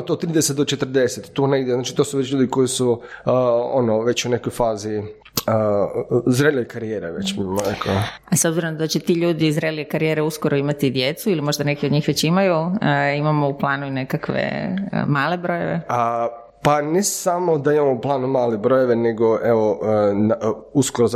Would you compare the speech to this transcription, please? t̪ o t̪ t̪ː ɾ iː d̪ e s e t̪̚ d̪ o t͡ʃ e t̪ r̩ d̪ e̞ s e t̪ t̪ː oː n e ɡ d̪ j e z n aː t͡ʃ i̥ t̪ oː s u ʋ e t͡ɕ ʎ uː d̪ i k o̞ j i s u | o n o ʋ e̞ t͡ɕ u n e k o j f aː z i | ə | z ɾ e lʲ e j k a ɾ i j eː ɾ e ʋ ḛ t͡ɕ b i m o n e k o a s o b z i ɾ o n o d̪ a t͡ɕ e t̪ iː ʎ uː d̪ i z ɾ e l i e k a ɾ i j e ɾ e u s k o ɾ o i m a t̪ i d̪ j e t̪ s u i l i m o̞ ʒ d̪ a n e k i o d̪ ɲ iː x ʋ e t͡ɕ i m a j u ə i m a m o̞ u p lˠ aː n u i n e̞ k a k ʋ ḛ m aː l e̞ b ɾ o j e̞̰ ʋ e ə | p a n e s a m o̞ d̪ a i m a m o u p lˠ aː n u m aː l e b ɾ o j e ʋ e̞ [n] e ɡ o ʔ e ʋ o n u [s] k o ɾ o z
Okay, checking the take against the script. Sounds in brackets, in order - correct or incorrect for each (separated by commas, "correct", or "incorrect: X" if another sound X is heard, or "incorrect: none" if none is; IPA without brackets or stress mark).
correct, correct